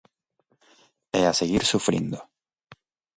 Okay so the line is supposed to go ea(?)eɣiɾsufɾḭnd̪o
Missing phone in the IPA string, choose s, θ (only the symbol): s